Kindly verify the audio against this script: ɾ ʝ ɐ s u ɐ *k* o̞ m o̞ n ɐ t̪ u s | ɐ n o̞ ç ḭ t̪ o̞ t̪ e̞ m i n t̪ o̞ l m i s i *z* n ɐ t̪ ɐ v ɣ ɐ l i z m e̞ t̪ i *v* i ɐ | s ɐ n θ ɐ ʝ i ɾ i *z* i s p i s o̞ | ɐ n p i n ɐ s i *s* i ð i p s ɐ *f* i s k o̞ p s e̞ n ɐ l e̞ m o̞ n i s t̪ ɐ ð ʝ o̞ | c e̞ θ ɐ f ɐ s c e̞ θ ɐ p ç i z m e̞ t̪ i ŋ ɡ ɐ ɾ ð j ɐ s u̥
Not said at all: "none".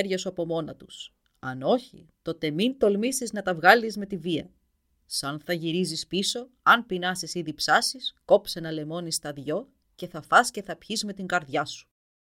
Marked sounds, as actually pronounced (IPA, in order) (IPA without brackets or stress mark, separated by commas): p, z, v, z, s, s